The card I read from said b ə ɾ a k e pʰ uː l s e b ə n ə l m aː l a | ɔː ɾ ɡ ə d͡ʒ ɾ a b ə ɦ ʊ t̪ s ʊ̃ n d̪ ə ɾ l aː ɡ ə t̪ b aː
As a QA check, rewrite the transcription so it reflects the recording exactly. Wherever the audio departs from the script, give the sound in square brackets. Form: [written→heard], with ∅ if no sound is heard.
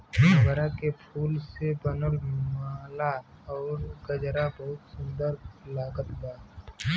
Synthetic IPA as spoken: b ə ɾ a k e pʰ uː l s e b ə n ə l m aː l a | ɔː ɾ ɡ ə d͡ʒ ɾ a b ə ɦ ʊ t̪ s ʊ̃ n d̪ ə ɾ l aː ɡ ə t̪ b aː